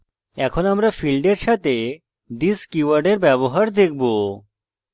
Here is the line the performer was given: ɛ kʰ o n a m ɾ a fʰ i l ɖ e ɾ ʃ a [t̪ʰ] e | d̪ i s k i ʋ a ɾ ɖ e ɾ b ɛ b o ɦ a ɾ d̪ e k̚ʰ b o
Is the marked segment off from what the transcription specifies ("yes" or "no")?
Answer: yes